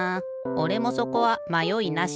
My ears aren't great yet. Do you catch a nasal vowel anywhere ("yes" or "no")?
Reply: no